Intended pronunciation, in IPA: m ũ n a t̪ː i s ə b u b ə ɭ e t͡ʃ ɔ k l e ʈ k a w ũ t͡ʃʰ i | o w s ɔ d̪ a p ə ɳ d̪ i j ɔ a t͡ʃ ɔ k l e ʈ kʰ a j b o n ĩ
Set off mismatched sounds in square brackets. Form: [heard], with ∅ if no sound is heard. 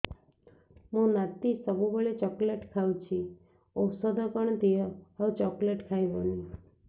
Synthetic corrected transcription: m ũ n a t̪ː i s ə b u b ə ɭ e t͡ʃ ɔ k l e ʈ [kʰ] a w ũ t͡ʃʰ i | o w s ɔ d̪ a p ə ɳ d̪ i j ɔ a t͡ʃ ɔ k l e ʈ kʰ a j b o n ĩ